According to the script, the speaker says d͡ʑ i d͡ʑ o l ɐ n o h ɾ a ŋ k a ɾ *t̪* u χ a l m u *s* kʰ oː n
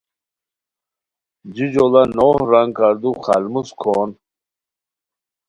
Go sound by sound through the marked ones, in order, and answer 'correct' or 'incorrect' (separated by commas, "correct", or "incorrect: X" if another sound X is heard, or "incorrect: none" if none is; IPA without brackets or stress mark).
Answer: incorrect: d̪, correct